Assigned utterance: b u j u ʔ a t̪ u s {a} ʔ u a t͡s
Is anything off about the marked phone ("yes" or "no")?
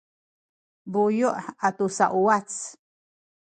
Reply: no